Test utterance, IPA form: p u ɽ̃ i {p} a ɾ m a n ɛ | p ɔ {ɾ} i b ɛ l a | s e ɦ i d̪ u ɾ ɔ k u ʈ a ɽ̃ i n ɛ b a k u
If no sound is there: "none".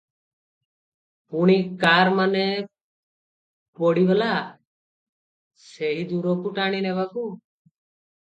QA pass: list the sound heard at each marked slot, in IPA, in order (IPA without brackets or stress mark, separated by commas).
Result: k, ɽ